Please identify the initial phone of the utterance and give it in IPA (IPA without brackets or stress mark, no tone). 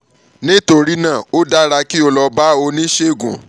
n